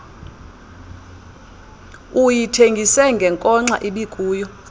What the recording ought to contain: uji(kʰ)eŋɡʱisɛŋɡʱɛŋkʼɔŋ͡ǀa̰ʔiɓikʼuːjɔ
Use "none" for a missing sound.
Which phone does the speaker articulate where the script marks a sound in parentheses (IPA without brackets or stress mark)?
tʰ